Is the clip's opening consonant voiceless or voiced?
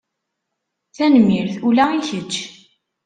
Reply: voiceless